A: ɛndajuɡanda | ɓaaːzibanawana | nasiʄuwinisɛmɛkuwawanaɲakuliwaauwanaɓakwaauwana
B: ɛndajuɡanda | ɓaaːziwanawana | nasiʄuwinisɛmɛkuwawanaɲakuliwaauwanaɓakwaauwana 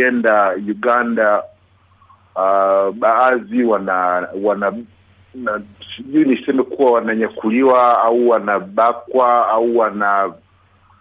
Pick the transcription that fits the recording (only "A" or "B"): B